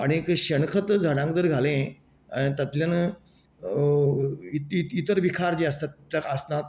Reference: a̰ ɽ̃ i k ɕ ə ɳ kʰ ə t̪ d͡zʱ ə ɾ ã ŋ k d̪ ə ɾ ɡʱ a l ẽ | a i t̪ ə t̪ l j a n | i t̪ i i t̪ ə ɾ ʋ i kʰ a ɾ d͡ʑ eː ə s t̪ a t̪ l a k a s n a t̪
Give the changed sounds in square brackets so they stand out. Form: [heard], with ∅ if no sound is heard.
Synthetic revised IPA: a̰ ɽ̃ i k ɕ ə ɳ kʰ ə t̪ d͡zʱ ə [ɽ] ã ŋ k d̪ ə ɾ ɡʱ a l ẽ | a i t̪ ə t̪ l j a n | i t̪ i i t̪ ə ɾ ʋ i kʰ a ɾ d͡ʑ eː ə s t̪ a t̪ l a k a s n a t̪